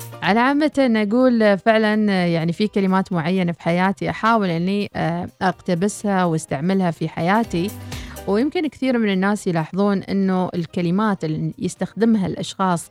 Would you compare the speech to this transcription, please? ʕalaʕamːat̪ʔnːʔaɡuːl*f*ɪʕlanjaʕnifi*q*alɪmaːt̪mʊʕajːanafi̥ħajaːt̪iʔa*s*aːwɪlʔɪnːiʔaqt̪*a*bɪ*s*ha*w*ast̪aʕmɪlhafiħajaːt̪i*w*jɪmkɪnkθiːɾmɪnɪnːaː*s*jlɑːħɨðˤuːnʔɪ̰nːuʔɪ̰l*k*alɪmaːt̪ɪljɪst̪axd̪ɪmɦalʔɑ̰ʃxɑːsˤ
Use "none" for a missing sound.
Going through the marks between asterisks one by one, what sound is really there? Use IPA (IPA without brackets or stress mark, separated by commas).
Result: f, k, ħ, a, s, w, w, s, k